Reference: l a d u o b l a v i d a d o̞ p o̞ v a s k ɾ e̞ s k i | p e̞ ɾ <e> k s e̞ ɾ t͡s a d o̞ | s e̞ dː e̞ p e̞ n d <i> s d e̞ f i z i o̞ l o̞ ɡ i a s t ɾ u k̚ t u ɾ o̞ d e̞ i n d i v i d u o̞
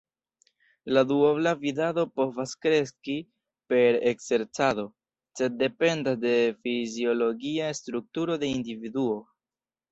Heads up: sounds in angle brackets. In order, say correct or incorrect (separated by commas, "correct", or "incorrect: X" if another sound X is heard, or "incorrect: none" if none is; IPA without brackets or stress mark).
correct, incorrect: a